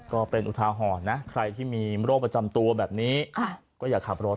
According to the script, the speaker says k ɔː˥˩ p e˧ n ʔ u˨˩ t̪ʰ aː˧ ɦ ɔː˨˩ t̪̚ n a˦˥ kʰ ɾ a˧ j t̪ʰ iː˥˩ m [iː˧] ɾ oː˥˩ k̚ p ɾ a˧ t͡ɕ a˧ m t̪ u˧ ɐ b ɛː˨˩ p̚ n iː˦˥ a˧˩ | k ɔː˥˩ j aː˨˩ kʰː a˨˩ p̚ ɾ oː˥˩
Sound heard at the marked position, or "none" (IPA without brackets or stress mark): iː˧